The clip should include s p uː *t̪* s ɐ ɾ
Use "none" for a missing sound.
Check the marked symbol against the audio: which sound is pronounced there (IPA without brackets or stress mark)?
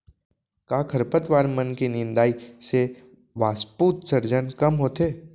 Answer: t̪